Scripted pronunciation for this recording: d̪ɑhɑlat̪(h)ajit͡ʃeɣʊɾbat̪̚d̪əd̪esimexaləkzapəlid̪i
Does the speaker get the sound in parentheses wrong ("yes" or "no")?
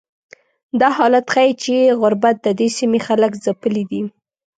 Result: yes